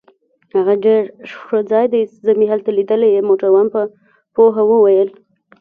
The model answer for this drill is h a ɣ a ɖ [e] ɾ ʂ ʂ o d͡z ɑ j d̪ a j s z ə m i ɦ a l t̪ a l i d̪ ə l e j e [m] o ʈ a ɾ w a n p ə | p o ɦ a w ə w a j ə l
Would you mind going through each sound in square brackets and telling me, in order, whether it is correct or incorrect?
correct, correct

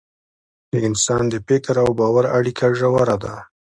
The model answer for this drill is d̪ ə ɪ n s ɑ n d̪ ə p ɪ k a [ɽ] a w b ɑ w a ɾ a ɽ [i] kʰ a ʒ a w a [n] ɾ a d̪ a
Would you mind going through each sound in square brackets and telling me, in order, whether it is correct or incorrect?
incorrect, correct, incorrect

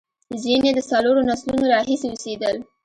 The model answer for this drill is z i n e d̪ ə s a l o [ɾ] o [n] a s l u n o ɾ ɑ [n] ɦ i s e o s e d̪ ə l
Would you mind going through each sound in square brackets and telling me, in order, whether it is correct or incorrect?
correct, correct, incorrect

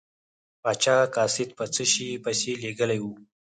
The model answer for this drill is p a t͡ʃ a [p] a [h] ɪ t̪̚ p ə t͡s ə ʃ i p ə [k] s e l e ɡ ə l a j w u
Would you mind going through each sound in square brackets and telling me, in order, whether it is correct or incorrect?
incorrect, incorrect, incorrect

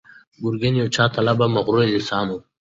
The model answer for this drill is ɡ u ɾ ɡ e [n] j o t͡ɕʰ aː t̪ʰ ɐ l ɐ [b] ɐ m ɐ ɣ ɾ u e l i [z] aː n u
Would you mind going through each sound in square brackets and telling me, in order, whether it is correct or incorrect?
correct, correct, incorrect

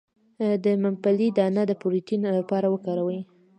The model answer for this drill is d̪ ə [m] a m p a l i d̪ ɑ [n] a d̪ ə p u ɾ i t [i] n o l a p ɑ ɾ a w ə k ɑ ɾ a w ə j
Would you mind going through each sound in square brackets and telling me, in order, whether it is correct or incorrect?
correct, correct, correct

